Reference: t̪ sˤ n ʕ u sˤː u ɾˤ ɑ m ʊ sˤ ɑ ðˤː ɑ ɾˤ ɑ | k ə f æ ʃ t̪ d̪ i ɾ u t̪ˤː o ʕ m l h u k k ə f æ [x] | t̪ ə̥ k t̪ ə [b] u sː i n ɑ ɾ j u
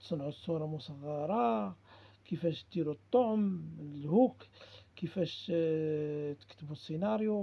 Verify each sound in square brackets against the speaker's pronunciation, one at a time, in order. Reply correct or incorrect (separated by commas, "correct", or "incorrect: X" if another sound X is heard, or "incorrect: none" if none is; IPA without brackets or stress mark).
incorrect: ʃ, correct